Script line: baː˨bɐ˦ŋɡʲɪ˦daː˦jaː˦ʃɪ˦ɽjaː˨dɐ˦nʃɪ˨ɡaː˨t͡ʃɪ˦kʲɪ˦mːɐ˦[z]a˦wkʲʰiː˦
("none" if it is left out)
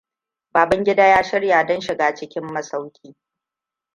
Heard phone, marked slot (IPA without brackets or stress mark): s